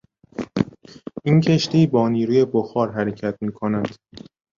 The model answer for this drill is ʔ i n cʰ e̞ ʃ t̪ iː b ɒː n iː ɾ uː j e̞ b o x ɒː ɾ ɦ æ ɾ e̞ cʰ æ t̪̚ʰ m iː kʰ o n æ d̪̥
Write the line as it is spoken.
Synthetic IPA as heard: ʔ i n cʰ e̞ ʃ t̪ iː b ɒː n iː ɾ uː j e̞ b o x ɒː ɾ ɦ æ ɾ e̞ cʰ æ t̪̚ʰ m iː kʰ o n æ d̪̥